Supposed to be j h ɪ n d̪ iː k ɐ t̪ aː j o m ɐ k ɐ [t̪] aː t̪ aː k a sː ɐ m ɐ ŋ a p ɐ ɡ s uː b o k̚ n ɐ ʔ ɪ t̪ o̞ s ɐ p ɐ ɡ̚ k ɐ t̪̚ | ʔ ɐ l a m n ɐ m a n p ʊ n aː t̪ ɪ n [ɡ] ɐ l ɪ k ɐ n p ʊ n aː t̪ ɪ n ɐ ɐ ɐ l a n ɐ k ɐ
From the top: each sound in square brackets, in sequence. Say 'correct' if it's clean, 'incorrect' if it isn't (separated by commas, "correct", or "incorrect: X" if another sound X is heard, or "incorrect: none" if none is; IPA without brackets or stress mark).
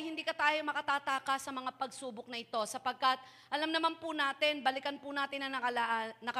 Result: correct, incorrect: b